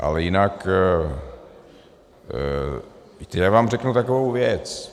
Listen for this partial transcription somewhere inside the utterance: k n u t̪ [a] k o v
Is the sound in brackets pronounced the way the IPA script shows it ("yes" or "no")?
yes